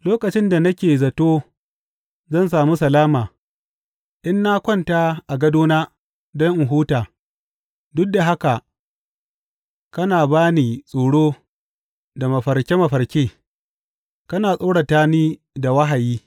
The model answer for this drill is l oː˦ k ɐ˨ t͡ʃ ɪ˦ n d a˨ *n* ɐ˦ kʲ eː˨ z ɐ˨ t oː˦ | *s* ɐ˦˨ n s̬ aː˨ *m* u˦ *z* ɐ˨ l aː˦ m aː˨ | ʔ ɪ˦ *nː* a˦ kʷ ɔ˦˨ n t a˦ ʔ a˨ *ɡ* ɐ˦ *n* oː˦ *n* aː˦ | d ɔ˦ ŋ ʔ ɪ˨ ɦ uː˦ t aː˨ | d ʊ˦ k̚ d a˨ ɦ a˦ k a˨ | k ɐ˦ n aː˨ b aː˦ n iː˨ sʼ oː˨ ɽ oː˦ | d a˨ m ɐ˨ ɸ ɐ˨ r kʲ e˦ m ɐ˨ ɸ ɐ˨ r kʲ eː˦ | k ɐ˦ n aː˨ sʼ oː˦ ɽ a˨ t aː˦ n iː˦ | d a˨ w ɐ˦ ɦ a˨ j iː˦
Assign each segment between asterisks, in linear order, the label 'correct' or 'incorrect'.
correct, incorrect: z, correct, incorrect: s, correct, correct, incorrect: d, correct

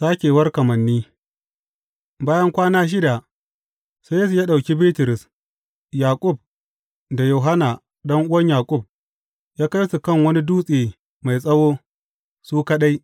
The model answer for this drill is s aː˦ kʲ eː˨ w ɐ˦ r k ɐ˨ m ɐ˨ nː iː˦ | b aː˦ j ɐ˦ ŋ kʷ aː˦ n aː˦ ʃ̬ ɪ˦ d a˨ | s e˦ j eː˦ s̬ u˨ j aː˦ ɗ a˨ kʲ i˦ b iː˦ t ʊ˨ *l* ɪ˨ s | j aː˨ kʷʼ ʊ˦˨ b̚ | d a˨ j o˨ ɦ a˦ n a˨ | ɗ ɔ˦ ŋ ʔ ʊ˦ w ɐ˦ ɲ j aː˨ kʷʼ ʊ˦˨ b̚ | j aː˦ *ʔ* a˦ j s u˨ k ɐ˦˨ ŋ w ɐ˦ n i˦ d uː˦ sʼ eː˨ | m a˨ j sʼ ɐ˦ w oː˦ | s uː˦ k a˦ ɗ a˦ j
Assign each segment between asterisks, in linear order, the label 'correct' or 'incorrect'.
incorrect: ɾ, incorrect: k

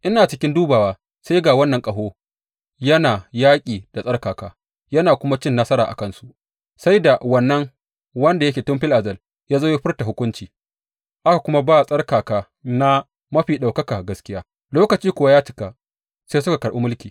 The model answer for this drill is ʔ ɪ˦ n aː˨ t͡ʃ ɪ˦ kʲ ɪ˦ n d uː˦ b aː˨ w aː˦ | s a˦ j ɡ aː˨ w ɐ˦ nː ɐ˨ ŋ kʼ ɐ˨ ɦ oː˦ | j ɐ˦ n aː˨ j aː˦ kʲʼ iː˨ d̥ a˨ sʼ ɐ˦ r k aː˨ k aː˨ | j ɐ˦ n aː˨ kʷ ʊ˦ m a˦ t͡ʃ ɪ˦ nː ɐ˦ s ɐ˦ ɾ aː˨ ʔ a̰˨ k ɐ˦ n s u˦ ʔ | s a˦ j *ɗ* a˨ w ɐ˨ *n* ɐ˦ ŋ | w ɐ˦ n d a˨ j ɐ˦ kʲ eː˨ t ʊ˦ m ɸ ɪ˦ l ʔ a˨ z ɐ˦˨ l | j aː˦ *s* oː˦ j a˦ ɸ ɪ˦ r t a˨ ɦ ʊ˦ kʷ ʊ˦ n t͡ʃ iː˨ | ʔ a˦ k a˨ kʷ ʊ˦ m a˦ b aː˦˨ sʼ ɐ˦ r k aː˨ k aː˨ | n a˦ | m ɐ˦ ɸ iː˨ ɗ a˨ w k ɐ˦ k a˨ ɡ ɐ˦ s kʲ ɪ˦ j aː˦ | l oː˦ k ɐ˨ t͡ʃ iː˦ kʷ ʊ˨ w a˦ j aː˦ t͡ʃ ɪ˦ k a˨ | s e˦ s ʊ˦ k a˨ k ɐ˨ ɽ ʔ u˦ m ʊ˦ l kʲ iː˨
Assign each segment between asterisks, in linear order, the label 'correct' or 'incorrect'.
incorrect: d, incorrect: nː, incorrect: z

